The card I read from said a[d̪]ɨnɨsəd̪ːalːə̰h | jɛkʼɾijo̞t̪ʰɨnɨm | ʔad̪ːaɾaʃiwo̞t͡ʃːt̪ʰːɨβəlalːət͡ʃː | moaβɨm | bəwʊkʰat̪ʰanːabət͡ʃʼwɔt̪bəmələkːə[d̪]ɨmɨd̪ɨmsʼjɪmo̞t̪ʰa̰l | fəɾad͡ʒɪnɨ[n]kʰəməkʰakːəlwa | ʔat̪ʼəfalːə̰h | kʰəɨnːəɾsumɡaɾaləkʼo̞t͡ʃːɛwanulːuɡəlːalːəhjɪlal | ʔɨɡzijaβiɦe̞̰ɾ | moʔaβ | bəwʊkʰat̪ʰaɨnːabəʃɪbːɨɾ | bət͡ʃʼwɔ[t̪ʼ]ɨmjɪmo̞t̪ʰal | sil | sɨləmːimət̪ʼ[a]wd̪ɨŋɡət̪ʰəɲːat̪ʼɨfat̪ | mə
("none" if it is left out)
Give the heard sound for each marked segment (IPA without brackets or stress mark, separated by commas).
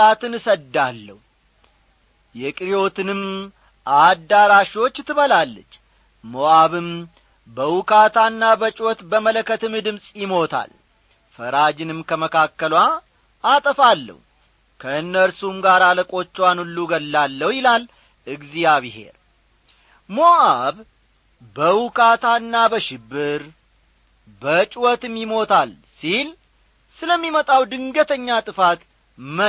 t̪, t̪, m, t̪, a